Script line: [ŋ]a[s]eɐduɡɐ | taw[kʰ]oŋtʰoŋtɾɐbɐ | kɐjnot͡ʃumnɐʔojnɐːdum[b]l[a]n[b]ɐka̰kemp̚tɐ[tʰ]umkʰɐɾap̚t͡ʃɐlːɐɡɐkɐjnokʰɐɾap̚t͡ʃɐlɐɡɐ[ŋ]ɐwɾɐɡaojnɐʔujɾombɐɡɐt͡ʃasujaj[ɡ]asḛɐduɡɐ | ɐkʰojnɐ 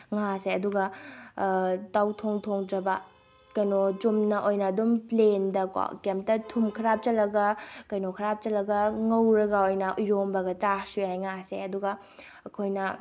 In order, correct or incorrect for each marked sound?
correct, correct, incorrect: tʰ, incorrect: p, incorrect: e, incorrect: d, correct, correct, incorrect: ŋ

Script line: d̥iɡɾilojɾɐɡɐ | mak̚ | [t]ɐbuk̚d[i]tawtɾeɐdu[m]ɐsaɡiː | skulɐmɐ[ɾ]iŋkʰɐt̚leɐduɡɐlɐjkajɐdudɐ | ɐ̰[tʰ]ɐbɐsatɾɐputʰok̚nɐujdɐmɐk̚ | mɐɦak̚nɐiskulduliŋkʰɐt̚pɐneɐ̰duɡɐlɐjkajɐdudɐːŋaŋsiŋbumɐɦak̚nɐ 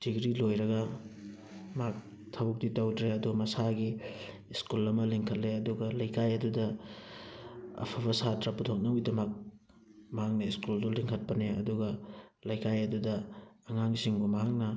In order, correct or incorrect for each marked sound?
incorrect: tʰ, correct, correct, incorrect: l, incorrect: pʰ

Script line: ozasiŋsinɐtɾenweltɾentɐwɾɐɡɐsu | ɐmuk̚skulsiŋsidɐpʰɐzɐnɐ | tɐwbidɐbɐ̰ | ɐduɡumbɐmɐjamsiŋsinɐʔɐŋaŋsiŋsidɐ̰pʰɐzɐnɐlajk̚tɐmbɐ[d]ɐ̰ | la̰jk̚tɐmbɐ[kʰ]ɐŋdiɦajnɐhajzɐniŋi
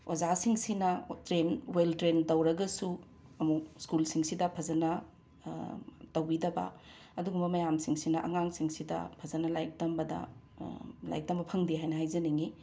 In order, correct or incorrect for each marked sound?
correct, incorrect: pʰ

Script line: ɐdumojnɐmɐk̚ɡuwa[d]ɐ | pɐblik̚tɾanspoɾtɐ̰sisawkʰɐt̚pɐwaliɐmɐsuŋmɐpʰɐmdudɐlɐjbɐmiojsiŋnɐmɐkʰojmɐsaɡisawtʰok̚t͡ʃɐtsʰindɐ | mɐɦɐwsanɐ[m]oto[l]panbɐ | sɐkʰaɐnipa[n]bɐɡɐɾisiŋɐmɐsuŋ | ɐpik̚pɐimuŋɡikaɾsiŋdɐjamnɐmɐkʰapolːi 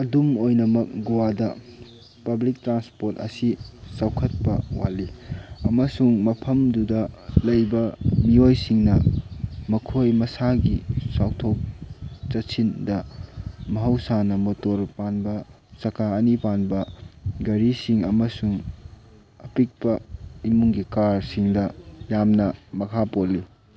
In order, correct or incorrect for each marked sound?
correct, correct, incorrect: ɾ, correct

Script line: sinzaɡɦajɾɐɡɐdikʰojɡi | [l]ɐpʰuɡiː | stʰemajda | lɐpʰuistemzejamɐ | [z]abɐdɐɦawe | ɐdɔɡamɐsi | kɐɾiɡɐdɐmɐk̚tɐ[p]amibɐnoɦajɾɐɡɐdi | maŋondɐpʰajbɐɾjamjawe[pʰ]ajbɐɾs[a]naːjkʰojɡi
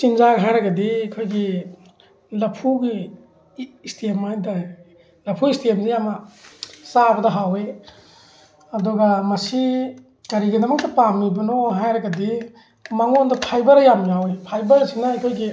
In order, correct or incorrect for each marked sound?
correct, incorrect: s, correct, correct, incorrect: i

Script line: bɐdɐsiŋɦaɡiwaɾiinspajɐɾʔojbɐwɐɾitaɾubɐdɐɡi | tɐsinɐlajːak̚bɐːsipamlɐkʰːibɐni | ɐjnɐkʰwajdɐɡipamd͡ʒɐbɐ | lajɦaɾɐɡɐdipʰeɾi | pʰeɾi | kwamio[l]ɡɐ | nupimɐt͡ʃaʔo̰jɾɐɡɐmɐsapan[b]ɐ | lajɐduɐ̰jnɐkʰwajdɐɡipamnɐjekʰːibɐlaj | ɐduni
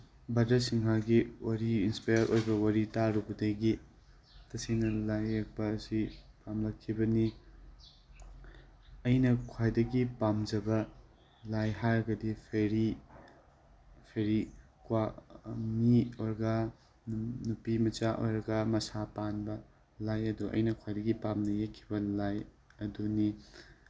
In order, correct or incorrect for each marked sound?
incorrect: ɾ, correct

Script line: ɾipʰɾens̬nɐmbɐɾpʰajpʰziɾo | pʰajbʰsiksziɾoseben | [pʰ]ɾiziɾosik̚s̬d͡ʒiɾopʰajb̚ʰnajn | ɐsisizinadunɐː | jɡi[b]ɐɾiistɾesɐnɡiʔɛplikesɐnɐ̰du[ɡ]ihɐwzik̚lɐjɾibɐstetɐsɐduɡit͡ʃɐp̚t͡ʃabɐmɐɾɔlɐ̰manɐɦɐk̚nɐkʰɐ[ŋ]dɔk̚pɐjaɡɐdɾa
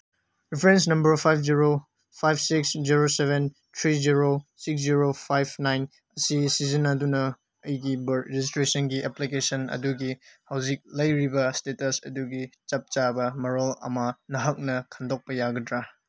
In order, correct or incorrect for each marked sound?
incorrect: tʰ, correct, correct, incorrect: n

